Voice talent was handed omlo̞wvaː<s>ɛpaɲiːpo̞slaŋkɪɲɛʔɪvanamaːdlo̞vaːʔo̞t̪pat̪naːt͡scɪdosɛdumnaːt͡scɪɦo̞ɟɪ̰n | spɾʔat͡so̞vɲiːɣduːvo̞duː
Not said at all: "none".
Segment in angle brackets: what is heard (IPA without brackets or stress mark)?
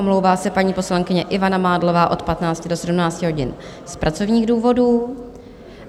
s